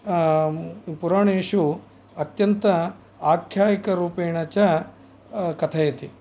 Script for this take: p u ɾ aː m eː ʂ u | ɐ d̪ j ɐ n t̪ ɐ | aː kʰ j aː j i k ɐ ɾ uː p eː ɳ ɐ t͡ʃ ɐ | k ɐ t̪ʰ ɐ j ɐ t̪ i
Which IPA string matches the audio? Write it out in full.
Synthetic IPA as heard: p u ɾ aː ɳ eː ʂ u | ɐ t̪ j ɐ n t̪ ɐ | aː kʰ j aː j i k ɐ ɾ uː p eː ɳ ɐ t͡ʃ ɐ | k ɐ t̪ʰ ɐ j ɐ t̪ i